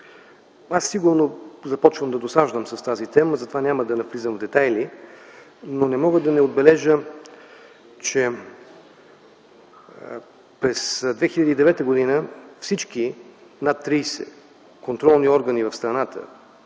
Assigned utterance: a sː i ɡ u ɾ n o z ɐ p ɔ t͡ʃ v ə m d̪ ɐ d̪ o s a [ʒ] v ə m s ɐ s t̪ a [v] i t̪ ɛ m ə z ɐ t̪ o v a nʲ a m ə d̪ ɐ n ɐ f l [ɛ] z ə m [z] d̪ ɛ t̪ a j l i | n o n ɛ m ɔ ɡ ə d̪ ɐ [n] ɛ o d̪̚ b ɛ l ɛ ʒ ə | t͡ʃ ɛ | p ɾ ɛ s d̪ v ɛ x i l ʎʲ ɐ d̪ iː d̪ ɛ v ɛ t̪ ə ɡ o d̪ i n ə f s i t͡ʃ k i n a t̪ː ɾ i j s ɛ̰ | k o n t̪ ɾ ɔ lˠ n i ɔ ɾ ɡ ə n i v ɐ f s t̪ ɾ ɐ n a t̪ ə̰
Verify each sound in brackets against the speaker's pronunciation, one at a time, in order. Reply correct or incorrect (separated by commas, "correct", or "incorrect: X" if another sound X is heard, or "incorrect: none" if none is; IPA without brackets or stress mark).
correct, incorrect: z, incorrect: i, incorrect: v, correct